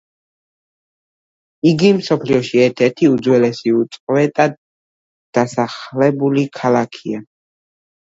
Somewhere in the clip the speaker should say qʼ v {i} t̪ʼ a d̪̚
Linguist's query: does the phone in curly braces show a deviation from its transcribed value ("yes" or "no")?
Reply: yes